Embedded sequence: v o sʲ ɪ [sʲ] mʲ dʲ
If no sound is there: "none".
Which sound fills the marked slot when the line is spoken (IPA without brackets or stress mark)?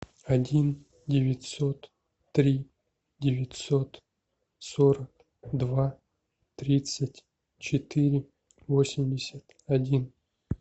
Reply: none